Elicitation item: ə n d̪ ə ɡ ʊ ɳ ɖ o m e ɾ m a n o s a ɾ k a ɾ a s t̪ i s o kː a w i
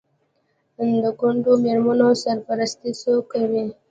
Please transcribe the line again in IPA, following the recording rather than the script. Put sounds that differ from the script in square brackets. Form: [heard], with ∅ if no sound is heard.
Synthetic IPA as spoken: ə n d̪ ə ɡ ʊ ɳ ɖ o m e ɾ m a n o s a ɾ [p] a ɾ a s t̪ i s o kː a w i